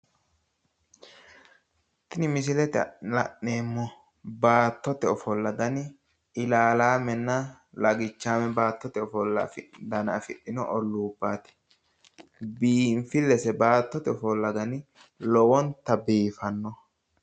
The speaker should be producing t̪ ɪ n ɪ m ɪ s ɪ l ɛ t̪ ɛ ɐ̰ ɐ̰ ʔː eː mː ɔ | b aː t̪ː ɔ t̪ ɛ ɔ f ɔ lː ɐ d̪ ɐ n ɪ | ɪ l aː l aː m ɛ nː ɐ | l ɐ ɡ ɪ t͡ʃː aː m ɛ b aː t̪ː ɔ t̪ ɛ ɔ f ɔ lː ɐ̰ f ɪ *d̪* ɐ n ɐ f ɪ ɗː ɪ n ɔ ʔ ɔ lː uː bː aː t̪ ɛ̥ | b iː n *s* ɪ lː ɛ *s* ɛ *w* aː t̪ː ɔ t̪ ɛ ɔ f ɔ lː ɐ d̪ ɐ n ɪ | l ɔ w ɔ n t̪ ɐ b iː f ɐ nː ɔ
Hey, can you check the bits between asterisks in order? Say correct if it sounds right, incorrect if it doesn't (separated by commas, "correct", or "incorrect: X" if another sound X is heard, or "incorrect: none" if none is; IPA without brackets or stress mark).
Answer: correct, incorrect: f, correct, incorrect: b